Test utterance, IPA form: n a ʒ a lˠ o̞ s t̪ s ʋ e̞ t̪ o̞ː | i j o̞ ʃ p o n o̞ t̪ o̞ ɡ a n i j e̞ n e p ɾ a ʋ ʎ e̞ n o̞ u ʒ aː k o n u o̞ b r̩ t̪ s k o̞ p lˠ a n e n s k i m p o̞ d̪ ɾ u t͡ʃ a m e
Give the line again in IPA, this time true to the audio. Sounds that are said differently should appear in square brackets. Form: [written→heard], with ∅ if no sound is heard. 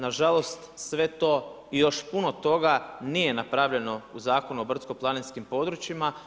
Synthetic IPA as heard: n a ʒ a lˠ o̞ s t̪ s ʋ e̞ t̪ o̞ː | i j o̞ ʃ p [o→u] n o̞ t̪ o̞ ɡ a n i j e̞ n [e→a] p ɾ a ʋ ʎ e̞ n o̞ u [ʒ→z] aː k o n u o̞ b r̩ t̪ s k o̞ p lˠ a n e n s k i m p o̞ d̪ ɾ u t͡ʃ [a→i] m [e→a]